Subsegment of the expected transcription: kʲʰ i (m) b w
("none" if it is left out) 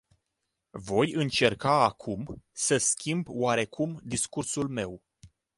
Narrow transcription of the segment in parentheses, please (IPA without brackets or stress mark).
m